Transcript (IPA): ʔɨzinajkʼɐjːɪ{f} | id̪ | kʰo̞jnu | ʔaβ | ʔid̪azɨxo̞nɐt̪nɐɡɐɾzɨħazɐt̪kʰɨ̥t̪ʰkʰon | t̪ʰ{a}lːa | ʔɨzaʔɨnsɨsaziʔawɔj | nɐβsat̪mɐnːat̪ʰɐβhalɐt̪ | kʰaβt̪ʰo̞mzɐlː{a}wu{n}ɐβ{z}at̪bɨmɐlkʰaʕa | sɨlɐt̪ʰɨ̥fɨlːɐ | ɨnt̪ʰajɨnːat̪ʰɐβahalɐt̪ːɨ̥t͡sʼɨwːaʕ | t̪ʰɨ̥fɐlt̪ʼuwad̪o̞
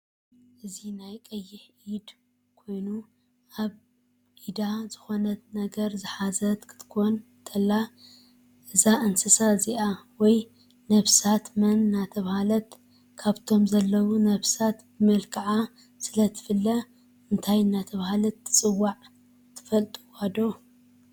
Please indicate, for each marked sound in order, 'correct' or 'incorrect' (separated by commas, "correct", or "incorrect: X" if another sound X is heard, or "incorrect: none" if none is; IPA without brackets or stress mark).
incorrect: ħ, incorrect: ɐ, incorrect: ɐ, correct, incorrect: s